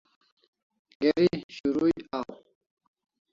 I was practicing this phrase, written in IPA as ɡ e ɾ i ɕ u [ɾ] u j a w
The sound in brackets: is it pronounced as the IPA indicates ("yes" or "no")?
yes